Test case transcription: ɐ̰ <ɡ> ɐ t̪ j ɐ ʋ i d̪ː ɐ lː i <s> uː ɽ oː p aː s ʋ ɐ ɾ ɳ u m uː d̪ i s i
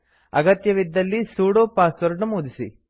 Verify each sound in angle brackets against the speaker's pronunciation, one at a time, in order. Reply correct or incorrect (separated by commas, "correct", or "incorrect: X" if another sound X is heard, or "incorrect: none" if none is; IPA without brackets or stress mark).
correct, correct